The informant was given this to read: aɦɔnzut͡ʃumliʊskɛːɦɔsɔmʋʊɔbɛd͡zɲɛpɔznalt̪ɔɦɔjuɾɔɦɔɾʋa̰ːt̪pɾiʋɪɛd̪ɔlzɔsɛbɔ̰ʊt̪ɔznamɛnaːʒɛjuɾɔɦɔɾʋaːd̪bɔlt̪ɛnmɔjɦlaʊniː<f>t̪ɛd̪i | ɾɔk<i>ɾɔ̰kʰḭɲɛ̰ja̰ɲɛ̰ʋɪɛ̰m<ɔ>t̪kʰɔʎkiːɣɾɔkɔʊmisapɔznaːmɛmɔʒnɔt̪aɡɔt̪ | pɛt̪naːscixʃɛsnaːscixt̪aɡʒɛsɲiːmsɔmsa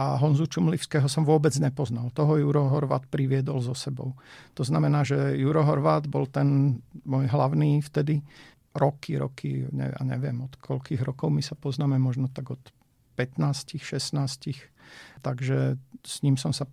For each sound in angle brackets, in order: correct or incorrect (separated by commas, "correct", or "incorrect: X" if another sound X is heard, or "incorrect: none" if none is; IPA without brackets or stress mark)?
correct, correct, correct